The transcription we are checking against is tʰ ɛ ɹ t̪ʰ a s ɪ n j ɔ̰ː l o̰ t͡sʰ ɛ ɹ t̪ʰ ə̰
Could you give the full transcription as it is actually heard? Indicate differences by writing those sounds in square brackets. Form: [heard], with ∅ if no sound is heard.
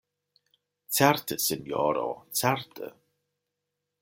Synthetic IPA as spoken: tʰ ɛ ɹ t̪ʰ [ə] s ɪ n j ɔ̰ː [ɾ] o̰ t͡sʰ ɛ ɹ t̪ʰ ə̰